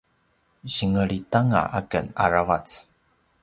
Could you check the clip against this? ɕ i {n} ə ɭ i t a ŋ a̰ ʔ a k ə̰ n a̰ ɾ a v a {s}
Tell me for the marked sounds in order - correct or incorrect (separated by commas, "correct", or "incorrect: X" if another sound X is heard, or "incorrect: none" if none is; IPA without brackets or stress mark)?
incorrect: ŋ, incorrect: t͡s